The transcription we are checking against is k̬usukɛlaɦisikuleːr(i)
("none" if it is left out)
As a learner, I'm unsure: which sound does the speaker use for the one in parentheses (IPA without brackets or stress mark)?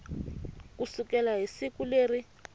i